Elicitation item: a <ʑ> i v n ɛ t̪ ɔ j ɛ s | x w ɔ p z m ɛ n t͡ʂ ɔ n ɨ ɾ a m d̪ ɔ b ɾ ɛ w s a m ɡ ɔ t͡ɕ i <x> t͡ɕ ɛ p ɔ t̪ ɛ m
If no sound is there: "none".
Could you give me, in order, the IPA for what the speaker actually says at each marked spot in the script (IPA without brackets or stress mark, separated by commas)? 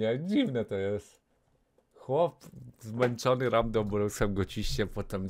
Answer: d͡ʑ, ɕ